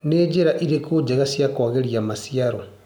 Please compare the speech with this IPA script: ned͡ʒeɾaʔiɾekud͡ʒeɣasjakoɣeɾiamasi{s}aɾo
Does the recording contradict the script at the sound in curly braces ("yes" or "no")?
yes